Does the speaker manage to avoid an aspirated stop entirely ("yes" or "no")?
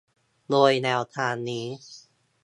no